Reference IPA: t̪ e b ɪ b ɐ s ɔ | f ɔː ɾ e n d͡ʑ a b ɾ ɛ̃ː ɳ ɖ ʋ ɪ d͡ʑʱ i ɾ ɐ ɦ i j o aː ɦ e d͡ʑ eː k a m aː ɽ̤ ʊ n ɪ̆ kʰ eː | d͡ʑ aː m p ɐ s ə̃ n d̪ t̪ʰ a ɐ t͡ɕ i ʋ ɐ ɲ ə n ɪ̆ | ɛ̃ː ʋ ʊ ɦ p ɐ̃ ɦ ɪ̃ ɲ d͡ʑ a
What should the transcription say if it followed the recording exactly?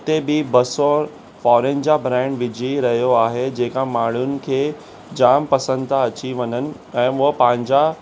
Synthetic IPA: t̪ e b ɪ b ɐ s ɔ | f ɔː ɾ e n d͡ʑ a b ɾ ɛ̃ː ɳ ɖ ʋ ɪ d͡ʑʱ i ɾ ɐ ɦ i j o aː ɦ e d͡ʑ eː k a m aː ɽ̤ ʊ n ɪ̆ kʰ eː | d͡ʑ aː m p ɐ s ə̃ n d̪ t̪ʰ a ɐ t͡ɕ i ʋ ɐ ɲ ə n ɪ̆ | ɛ̃ː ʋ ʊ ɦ p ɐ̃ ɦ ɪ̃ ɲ d͡ʑ a